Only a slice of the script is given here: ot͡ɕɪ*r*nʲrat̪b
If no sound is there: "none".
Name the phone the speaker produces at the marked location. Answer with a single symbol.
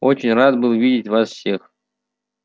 none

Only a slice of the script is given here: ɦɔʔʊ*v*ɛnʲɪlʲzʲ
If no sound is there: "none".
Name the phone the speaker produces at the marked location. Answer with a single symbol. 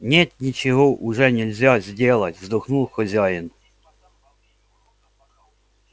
ʐ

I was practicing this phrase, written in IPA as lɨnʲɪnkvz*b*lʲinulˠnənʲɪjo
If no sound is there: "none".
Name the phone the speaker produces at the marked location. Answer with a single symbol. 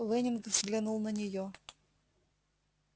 ɡ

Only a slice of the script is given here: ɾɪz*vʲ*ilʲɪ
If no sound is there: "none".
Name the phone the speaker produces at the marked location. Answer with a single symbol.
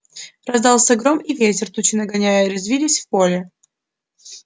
vʲ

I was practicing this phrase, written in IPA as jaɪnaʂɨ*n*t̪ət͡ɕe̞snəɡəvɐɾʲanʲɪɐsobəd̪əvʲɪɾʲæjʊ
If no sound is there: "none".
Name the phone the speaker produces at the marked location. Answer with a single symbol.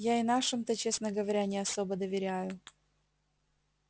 m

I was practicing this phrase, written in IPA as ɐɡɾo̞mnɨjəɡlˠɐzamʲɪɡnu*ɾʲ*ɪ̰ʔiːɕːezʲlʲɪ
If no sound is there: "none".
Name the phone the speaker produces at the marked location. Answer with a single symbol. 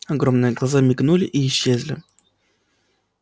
lʲ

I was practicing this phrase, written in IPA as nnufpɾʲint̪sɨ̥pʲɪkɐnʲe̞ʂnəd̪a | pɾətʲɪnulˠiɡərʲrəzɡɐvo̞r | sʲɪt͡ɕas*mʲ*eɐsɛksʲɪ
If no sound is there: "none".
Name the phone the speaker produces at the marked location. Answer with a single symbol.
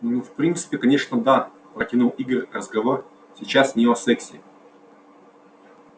nʲ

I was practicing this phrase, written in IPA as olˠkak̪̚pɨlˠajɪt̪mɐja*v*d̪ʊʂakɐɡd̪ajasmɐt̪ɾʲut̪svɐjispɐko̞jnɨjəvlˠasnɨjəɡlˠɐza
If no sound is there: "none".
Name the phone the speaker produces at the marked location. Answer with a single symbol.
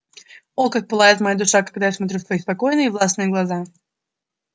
none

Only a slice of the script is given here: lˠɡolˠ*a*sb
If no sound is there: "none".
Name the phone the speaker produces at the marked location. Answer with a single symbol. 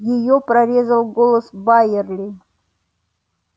ə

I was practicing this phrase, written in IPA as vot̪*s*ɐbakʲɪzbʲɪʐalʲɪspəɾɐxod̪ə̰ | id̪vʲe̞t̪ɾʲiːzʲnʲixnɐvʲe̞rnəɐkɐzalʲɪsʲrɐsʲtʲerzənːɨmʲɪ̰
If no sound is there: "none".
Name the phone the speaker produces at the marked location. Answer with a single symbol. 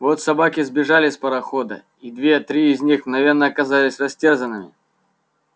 s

